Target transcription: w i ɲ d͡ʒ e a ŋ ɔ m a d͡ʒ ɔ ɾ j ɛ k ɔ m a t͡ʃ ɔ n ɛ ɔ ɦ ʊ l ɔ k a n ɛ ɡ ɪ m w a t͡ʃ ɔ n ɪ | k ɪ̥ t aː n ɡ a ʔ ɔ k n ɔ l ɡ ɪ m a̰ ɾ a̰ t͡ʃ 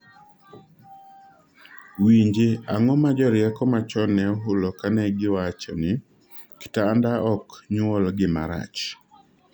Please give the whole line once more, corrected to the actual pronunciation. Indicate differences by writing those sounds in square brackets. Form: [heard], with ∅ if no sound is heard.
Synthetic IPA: w i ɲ d͡ʒ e a ŋ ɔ m a d͡ʒ ɔ ɾ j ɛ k ɔ m a t͡ʃ ɔ n ɛ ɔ ɦ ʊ l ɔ k a n ɛ ɡ ɪ [∅] w a t͡ʃ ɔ n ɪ | k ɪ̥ t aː n [d] a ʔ ɔ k [ɲ] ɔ l ɡ ɪ m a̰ ɾ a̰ t͡ʃ